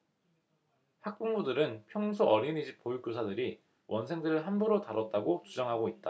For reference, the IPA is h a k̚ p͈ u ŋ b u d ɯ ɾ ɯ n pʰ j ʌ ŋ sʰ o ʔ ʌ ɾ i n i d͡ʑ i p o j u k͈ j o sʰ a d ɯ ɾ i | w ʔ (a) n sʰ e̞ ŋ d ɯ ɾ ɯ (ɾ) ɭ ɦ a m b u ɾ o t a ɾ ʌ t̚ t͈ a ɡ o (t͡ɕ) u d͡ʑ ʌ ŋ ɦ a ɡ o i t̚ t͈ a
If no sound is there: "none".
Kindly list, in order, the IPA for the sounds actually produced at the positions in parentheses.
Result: ʌ, none, t͡ɕ

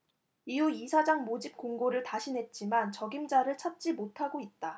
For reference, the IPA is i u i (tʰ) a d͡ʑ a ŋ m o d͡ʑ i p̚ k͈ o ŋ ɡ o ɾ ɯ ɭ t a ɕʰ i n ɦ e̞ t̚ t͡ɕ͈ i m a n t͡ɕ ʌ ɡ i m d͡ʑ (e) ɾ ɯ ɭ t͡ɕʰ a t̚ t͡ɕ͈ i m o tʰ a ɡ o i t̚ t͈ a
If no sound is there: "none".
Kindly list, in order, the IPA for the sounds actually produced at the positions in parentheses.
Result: sʰ, a

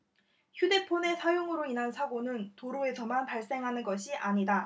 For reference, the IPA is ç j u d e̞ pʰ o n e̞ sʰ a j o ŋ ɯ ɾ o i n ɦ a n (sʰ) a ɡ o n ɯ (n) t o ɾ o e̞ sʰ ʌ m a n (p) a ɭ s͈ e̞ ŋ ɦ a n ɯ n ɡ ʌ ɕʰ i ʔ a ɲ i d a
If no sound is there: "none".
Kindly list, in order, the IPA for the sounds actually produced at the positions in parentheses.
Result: sʰ, n, p

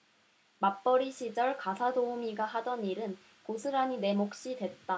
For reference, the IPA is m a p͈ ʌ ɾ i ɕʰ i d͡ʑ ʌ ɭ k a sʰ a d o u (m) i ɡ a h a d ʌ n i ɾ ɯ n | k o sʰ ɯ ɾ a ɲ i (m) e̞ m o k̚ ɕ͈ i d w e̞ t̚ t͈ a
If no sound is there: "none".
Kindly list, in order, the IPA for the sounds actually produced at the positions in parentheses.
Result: m, n

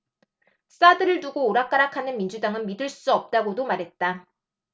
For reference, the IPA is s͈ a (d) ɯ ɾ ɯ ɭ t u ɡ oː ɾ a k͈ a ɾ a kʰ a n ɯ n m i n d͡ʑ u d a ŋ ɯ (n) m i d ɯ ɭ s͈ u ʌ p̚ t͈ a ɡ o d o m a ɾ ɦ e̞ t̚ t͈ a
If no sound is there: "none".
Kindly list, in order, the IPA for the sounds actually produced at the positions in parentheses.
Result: d, n

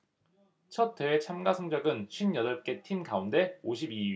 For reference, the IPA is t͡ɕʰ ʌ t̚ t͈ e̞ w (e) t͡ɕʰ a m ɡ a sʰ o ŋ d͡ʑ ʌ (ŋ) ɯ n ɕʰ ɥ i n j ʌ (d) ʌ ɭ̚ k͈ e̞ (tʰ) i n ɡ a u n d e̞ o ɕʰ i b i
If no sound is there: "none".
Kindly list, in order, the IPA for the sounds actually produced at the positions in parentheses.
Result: e, ɡ, d, tʰ

